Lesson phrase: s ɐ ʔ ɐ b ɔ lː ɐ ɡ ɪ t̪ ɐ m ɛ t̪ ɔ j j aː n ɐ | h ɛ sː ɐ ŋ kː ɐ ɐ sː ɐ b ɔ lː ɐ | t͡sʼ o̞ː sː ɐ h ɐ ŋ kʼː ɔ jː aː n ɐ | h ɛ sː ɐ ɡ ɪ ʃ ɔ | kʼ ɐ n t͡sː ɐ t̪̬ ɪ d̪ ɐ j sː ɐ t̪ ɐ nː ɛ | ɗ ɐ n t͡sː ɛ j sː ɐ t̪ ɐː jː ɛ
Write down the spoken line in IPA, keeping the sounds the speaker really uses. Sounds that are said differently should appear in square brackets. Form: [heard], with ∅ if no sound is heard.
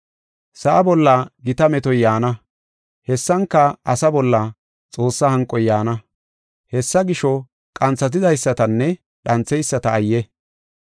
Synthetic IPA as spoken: s ɐ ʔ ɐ b ɔ lː ɐ ɡ ɪ t̪ ɐ m ɛ t̪ ɔ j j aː n ɐ | h ɛ sː ɐ ŋ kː ɐ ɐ [s] ɐ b ɔ lː ɐ | t͡sʼ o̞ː sː ɐ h ɐ ŋ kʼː ɔ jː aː n ɐ | h ɛ sː ɐ ɡ ɪ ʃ ɔ | kʼ ɐ n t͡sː ɐ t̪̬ ɪ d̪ ɐ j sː ɐ t̪ ɐ nː ɛ | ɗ ɐ n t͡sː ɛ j sː ɐ t̪ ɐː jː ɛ